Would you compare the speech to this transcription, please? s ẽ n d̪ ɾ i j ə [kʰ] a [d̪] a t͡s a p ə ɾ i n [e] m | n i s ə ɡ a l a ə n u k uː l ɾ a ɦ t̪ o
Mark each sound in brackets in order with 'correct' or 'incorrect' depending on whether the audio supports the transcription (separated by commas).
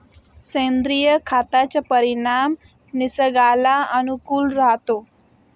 correct, incorrect, incorrect